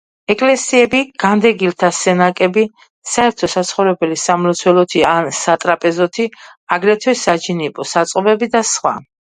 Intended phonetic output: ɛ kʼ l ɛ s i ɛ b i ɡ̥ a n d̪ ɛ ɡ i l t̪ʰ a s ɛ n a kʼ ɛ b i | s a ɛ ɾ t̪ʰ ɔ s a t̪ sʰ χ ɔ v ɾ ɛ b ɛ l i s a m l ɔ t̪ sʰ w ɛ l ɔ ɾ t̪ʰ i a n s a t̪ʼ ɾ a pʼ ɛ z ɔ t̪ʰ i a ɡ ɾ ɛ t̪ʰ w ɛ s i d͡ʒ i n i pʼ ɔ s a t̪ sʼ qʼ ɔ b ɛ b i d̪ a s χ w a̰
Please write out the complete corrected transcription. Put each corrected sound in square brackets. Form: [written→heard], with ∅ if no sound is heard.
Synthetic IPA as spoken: ɛ kʼ l ɛ s i ɛ b i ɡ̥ a n d̪ ɛ ɡ i l t̪ʰ a s ɛ n a kʼ ɛ b i | s a ɛ ɾ t̪ʰ ɔ s a t̪ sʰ χ ɔ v ɾ ɛ b ɛ l i s a m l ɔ t̪ sʰ w ɛ l ɔ [ɾ→∅] t̪ʰ i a n s a t̪ʼ ɾ a pʼ ɛ z ɔ t̪ʰ i a ɡ ɾ ɛ t̪ʰ w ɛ s [i→a] d͡ʒ i n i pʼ ɔ s a t̪ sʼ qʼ ɔ b ɛ b i d̪ a s χ w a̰